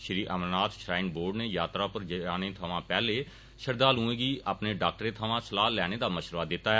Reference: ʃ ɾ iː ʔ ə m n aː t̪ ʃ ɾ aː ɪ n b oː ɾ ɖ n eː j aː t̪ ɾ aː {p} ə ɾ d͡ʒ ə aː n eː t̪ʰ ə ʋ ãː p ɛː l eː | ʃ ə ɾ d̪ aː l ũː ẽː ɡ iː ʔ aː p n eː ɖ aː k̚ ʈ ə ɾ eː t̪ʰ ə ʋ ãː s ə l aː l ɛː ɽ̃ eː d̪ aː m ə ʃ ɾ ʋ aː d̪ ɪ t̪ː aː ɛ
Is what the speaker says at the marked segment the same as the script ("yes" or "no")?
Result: yes